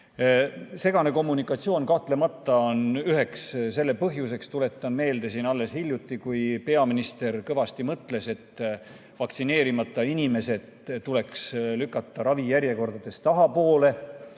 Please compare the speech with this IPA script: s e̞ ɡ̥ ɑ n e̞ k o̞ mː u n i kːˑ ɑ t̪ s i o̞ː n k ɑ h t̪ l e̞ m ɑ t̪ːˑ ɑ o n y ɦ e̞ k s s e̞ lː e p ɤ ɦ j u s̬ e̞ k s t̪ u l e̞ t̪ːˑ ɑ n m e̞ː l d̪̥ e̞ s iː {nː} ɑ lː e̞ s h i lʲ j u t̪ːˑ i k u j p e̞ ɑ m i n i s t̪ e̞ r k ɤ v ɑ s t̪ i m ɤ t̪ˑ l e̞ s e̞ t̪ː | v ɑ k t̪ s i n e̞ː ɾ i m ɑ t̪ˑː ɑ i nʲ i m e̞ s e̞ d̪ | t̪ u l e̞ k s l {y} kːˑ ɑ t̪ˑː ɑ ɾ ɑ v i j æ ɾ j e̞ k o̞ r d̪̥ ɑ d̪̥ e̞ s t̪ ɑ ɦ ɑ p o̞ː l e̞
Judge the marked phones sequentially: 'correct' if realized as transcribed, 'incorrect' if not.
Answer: incorrect, correct

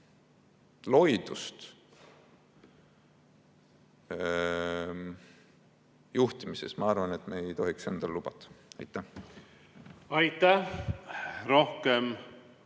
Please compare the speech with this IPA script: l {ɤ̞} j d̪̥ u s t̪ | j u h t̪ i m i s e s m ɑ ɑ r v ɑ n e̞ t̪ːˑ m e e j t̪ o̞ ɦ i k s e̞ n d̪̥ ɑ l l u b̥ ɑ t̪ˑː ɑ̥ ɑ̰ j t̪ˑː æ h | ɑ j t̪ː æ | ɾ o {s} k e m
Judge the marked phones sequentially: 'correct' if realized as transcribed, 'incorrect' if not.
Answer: incorrect, incorrect

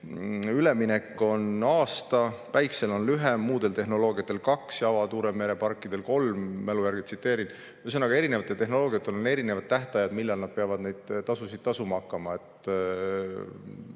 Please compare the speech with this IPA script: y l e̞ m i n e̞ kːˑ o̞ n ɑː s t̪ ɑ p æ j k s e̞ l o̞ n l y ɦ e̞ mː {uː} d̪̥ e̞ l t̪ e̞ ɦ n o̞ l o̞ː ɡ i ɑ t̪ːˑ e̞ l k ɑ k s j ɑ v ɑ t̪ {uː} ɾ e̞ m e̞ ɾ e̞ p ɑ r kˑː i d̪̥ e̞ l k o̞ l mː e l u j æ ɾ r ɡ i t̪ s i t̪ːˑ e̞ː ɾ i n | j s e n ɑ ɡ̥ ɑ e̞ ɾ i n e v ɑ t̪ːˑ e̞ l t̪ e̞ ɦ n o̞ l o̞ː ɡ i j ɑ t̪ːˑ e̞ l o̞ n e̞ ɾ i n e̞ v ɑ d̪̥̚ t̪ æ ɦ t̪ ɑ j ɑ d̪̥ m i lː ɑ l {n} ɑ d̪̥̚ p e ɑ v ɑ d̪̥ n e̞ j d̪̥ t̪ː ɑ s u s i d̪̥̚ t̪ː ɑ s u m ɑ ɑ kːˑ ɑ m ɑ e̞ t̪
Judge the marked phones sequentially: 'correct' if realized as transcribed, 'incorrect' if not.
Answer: correct, correct, correct

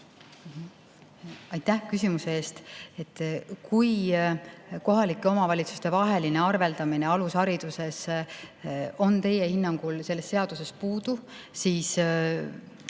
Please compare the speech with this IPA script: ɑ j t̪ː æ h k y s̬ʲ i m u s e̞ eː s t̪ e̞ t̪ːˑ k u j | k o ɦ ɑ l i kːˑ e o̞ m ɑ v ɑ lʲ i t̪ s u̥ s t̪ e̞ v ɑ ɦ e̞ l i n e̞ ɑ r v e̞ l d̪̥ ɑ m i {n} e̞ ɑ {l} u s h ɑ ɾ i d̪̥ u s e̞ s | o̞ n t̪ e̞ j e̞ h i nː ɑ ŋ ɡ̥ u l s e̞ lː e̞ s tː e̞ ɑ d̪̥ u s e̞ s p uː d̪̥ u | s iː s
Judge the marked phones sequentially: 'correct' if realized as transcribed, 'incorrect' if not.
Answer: correct, correct

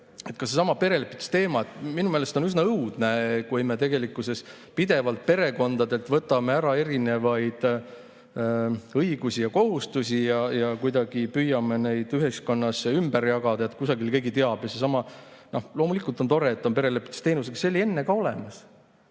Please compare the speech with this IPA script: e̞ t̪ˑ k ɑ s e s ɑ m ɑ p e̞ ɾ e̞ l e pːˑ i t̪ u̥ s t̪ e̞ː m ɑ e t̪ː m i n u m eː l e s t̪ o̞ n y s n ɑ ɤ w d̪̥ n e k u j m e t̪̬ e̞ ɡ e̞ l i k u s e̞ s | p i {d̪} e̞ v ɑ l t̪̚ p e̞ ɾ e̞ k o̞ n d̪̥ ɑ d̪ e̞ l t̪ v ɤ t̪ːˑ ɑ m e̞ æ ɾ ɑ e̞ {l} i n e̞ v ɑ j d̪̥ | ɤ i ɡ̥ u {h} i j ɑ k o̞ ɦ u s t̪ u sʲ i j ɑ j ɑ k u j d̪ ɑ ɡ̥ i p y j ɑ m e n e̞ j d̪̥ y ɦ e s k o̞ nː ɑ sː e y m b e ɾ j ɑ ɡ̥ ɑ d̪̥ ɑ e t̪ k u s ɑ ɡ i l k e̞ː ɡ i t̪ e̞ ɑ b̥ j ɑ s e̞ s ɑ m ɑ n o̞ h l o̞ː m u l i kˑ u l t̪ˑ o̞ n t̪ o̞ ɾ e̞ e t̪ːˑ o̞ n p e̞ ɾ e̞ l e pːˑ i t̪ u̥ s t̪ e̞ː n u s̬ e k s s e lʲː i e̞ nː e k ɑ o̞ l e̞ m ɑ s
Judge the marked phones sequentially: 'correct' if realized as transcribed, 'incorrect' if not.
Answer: correct, incorrect, incorrect

